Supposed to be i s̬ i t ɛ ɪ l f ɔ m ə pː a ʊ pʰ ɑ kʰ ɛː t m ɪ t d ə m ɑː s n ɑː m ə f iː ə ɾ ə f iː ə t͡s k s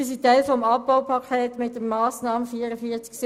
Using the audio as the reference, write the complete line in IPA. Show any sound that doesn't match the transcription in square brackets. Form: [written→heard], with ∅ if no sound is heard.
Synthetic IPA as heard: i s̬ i t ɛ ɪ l f ɔ m [ə→ɑ] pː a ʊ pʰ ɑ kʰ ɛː t m ɪ t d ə m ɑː s n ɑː m ə f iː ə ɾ ə f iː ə t͡s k s